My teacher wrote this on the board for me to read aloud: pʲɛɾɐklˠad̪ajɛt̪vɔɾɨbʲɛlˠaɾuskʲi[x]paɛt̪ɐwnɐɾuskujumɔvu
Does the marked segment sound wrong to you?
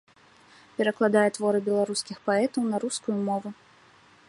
no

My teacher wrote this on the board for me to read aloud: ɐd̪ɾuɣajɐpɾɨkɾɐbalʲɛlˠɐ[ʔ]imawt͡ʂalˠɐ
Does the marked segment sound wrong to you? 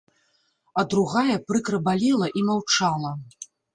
no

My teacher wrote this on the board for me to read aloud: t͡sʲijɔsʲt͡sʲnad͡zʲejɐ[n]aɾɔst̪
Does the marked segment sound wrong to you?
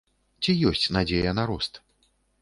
no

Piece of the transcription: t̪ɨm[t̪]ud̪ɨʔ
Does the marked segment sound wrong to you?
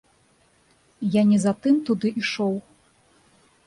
no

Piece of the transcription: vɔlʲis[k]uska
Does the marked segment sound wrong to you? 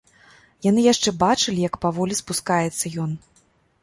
yes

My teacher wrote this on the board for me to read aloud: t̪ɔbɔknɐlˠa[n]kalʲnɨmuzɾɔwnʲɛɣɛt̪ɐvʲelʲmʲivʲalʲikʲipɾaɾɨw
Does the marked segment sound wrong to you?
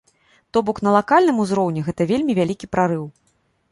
yes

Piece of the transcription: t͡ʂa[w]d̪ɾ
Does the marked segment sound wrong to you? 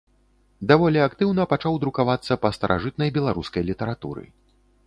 no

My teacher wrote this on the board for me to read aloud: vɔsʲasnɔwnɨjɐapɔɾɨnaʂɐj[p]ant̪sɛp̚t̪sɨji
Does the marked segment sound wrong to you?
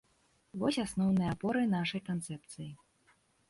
yes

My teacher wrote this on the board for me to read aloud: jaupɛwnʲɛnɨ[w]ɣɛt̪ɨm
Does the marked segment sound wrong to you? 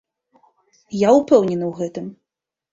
no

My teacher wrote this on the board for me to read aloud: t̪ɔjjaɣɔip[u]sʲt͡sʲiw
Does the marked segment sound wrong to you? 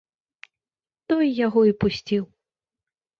no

